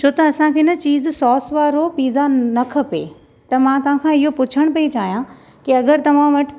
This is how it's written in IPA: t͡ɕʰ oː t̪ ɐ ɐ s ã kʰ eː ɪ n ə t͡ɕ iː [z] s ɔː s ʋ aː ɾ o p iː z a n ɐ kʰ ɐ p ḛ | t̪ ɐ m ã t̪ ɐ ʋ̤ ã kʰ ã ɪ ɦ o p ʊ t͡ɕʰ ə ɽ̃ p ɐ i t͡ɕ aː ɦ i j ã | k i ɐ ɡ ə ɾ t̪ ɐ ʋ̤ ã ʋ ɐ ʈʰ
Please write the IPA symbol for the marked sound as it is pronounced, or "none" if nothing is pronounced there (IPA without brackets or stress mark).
z